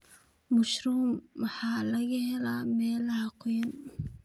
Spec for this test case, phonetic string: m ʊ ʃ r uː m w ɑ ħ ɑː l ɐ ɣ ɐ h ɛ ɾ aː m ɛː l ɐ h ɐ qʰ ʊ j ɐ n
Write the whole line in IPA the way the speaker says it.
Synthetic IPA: m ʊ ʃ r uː m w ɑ ħ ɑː l ɐ ɣ ɐ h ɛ l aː m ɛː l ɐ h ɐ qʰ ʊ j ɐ n